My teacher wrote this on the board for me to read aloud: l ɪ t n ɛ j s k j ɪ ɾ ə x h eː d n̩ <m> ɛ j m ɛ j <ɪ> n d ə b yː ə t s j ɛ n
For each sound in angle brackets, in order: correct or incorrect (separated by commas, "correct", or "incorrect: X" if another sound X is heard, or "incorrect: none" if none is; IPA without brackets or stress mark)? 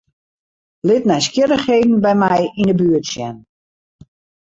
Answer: incorrect: b, incorrect: i